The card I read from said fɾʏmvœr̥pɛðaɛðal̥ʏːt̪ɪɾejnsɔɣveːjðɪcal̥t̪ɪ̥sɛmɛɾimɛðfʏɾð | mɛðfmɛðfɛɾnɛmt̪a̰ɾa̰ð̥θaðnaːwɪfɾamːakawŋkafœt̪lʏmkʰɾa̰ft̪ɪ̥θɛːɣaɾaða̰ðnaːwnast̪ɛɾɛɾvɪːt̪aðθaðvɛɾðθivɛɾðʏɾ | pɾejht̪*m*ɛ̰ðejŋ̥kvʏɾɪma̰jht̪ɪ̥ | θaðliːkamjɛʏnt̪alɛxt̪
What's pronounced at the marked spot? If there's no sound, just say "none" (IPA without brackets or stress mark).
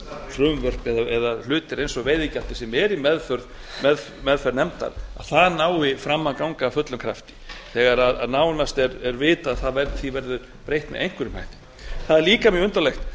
m